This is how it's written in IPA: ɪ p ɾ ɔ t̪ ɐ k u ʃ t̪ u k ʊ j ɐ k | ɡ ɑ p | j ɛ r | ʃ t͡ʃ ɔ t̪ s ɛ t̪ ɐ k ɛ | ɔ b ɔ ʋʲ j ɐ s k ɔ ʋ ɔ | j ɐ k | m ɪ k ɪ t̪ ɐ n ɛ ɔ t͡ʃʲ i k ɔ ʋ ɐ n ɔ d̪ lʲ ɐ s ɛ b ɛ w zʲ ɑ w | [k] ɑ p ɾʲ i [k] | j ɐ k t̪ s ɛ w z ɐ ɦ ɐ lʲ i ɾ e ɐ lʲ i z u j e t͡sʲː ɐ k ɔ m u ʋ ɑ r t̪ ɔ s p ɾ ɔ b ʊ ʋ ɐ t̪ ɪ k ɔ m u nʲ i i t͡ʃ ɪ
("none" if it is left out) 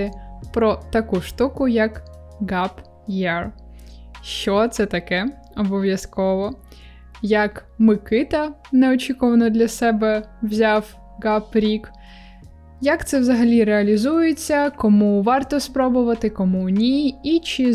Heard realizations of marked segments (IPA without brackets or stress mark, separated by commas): ɡ, k